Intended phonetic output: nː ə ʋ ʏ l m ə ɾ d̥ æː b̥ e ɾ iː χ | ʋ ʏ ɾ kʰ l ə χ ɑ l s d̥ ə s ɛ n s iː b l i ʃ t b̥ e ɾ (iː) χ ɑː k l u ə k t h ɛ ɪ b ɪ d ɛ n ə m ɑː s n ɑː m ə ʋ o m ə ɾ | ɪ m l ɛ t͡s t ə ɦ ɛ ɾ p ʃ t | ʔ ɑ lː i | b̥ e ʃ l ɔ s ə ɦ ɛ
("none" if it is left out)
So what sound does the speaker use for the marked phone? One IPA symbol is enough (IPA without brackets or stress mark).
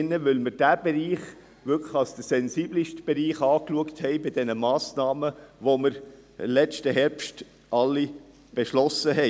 iː